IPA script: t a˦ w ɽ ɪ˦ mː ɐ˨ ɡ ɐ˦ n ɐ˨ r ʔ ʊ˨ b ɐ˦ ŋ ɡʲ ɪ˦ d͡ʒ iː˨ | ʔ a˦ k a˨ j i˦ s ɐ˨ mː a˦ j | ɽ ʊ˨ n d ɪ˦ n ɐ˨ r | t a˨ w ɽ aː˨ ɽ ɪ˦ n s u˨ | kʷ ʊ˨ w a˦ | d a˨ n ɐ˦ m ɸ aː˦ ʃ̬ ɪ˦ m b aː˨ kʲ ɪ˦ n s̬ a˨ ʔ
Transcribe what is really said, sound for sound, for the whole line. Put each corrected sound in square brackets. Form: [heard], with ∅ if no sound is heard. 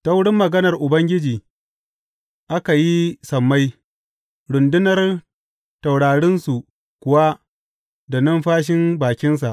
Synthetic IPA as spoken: t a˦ w ɽ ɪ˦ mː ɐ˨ ɡ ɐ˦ n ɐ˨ r ʔ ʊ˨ b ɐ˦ ŋ ɡʲ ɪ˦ d͡ʒ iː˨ | ʔ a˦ k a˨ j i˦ s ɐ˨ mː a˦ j | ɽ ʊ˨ n d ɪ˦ n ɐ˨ r | t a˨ w ɽ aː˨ ɽ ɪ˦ n s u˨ | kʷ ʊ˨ w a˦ | d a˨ n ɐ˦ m ɸ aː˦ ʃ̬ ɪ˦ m b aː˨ kʲ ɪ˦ n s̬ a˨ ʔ